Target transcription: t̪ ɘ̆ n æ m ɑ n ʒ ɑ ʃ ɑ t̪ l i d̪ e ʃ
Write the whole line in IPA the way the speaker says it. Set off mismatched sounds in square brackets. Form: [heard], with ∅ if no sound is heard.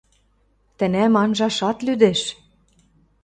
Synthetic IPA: t̪ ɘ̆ n æ m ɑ n ʒ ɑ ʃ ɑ t̪ l [y] d̪ e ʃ